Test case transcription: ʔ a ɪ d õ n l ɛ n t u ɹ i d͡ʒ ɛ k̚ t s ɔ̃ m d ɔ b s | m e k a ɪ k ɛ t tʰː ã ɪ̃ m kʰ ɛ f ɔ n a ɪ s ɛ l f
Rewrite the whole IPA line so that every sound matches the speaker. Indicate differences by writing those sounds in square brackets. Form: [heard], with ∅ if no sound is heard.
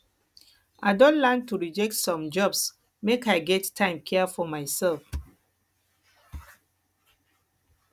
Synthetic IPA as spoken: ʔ a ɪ d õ n l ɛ n t u ɹ i d͡ʒ ɛ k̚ t s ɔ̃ m [d͡ʒ] ɔ b s | m e k a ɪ [ɡ] ɛ t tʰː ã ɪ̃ m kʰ ɛ f ɔ [m] a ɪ s ɛ l f